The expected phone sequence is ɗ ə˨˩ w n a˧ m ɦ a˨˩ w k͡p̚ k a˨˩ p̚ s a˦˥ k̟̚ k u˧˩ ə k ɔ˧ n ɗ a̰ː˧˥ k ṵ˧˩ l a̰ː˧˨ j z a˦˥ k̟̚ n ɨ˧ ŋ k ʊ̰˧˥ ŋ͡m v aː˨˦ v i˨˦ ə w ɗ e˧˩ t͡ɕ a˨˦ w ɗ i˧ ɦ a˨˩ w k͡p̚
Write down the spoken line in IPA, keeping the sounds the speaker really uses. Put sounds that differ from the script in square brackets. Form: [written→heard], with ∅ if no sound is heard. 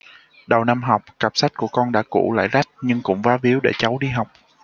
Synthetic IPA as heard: ɗ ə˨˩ w n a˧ m ɦ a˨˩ w k͡p̚ k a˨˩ p̚ s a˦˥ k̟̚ k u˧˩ ə k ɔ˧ n ɗ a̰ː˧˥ k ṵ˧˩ l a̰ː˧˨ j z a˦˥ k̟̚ [n→ɲ] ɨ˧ ŋ k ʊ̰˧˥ ŋ͡m v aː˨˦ v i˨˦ ə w ɗ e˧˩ t͡ɕ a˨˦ w ɗ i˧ ɦ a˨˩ w k͡p̚